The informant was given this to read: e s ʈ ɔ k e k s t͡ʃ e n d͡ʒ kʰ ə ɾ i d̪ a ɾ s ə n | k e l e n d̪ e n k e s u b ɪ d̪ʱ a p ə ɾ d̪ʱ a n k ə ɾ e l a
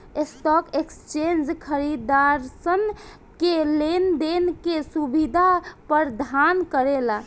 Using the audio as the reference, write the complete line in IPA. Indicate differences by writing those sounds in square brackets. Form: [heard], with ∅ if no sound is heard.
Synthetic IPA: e s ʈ ɔ k e k s t͡ʃ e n d͡ʒ kʰ ə ɾ i d̪ a ɾ s ə n | k e l e n d̪ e n k e s u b [i] d̪ʱ a p ə ɾ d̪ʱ a n k ə ɾ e l a